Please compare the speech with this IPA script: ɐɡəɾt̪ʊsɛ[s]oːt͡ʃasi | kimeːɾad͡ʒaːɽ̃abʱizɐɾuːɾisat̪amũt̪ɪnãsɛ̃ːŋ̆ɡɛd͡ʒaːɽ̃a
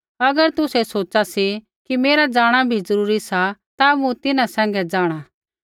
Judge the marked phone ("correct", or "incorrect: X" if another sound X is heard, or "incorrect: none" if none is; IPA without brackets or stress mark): correct